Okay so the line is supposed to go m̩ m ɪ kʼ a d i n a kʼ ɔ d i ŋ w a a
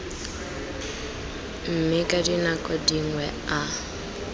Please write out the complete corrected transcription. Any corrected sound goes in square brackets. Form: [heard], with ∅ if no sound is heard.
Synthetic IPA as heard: m̩ m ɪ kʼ a d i n a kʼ ɔ d i ŋ w [ɛ] a